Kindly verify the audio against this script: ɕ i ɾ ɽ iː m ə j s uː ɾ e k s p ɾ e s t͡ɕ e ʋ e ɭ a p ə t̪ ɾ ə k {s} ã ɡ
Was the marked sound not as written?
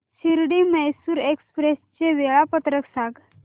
no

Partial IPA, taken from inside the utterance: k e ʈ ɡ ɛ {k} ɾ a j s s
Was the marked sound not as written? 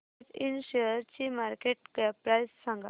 yes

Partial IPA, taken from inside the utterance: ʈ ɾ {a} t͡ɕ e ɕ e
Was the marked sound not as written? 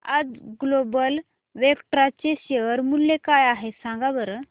no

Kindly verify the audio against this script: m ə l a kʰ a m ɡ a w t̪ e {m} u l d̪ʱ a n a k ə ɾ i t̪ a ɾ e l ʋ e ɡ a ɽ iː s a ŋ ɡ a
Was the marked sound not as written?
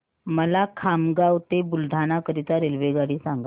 yes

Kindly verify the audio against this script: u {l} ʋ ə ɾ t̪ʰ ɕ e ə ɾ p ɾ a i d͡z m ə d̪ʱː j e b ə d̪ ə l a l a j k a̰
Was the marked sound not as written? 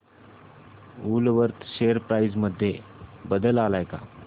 no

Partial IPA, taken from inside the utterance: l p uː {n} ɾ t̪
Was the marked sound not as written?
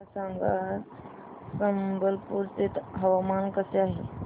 yes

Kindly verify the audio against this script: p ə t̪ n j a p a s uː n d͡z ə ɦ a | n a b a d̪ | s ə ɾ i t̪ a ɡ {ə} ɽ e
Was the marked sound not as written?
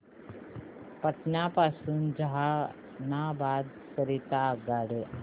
yes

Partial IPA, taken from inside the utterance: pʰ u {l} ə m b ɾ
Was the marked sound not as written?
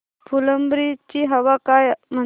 no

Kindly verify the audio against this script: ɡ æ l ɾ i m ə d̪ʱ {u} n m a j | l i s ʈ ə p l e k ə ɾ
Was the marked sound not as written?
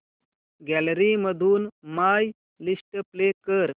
yes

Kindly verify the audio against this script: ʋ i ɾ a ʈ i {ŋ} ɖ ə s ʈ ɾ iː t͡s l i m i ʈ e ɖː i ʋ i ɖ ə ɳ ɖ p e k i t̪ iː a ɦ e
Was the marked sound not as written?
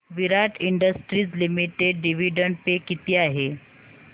yes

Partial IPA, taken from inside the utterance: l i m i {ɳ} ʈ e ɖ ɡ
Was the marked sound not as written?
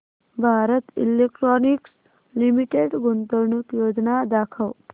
yes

